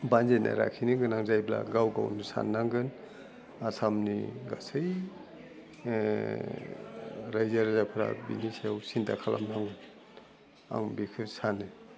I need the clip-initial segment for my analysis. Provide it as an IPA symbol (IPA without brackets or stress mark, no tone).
b